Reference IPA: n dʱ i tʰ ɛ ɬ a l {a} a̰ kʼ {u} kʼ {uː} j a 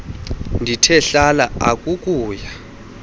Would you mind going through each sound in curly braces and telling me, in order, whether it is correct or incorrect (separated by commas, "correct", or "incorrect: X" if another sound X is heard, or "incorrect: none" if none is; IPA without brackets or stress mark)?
correct, correct, correct